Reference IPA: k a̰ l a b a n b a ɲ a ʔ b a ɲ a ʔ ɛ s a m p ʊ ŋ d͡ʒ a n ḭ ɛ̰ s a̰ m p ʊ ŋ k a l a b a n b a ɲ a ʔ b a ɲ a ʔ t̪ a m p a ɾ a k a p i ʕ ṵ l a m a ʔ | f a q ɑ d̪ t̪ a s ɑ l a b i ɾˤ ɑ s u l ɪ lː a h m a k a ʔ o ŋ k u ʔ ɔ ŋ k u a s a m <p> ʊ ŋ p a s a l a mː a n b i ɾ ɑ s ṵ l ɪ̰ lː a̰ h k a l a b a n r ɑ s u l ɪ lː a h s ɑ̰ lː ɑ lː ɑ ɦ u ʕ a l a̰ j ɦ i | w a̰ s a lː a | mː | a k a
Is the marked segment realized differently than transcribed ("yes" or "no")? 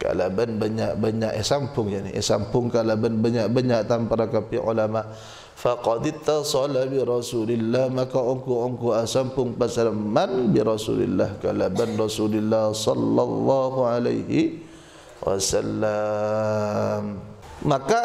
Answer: no